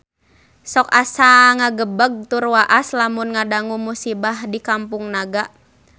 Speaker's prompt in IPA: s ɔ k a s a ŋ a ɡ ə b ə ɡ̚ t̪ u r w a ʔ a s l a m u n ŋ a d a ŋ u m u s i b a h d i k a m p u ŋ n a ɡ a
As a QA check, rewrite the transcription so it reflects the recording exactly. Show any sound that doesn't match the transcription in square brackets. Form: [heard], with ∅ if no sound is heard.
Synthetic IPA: s ɔ k a s a ŋ a ɡ ə b ə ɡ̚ t̪ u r w a ʔ a s l a m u n ŋ a d a ŋ u m u s i b a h d i k a m p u ŋ n a ɡ a

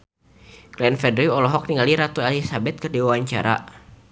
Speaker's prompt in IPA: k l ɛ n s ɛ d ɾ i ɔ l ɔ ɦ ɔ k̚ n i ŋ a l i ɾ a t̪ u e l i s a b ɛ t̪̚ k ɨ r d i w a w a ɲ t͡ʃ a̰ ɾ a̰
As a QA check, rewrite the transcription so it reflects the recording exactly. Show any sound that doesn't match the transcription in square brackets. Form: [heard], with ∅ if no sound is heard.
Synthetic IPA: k l ɛ n [f] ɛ d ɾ i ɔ l ɔ ɦ ɔ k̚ n i ŋ a l i ɾ a t̪ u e l i s a b ɛ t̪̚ k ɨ r d i w a w a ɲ t͡ʃ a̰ ɾ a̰

